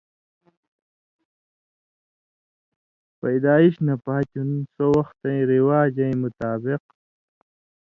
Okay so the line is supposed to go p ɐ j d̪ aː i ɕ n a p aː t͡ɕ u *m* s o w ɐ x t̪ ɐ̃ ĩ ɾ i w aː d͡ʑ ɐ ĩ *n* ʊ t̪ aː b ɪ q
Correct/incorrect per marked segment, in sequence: incorrect: n, incorrect: m

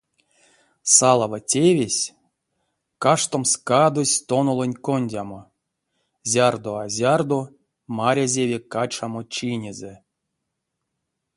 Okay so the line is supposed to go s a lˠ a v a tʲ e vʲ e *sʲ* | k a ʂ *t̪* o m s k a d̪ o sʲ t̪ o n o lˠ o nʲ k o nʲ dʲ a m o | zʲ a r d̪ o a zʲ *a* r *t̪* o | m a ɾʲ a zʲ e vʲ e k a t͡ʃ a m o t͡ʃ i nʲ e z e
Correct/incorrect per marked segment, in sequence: correct, correct, correct, incorrect: d̪

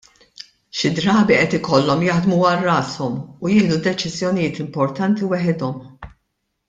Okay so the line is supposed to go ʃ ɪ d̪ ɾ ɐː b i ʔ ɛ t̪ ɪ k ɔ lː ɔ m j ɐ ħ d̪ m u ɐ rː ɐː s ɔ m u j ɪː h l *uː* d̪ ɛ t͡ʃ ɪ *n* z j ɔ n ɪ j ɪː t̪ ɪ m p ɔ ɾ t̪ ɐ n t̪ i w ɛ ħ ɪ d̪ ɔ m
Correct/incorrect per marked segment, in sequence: incorrect: u, incorrect: none

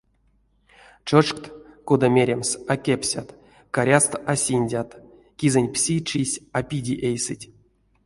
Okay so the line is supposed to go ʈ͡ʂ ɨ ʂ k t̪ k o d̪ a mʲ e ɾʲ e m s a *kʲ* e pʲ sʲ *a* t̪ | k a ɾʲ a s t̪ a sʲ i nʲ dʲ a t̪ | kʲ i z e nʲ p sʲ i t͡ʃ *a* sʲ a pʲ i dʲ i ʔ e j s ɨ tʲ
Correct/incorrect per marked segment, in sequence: correct, correct, incorrect: i

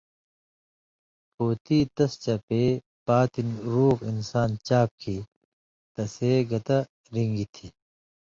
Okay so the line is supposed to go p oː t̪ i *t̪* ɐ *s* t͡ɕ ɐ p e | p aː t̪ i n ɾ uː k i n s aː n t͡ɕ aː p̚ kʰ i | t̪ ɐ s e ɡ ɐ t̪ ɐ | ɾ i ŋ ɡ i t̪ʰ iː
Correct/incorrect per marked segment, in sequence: correct, correct

